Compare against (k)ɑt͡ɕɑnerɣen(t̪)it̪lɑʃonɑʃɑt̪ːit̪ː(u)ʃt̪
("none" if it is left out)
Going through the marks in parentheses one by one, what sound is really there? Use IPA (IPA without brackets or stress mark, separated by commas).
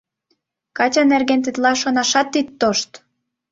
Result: k, t̪, o